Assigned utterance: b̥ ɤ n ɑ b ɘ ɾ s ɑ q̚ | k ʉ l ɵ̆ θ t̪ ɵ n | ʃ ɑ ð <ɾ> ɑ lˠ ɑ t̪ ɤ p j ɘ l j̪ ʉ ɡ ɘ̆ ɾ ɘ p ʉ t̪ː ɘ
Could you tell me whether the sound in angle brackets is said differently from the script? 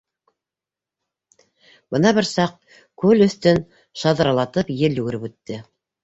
no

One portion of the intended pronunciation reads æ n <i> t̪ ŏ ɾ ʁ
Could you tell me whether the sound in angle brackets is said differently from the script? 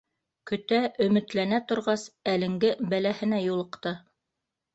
yes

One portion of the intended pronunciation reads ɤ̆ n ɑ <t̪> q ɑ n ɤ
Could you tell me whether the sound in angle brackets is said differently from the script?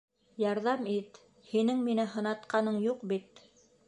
no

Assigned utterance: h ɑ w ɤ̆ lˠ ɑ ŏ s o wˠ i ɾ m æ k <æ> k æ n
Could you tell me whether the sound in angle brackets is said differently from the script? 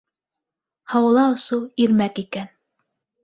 yes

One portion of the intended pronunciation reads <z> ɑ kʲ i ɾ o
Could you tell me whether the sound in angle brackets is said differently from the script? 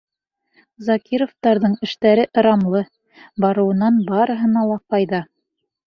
no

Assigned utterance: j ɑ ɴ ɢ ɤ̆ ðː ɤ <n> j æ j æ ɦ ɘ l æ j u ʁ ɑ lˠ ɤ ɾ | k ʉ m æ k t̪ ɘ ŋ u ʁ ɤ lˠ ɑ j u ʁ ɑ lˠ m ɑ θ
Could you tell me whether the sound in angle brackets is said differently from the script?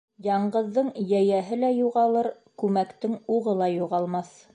yes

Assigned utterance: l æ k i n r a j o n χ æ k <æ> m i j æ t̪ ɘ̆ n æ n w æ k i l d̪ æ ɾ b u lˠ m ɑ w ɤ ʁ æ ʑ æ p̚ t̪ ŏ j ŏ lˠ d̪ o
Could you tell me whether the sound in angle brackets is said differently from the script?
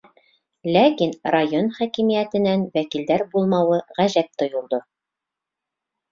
yes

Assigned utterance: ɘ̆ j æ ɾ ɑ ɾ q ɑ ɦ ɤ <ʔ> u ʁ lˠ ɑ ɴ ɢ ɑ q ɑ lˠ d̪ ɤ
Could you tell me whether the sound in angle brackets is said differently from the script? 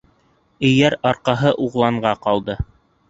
no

